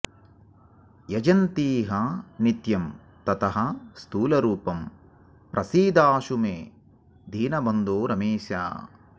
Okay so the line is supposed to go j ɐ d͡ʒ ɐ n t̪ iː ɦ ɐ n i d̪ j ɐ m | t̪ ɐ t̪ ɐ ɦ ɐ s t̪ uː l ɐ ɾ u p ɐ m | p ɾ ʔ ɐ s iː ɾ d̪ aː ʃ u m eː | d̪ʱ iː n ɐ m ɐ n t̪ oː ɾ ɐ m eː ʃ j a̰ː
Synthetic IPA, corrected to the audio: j ɐ d͡ʒ ɐ n t̪ iː ɦ ɐ n i t̪ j ɐ m | t̪ ɐ t̪ ɐ ɦ ɐ s t̪ uː l ɐ ɾ uː p ɐ m | p ɾ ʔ ɐ s iː d̪ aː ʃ u m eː | d̪ʱ iː n ɐ b ɐ n d̪ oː ɾ ɐ m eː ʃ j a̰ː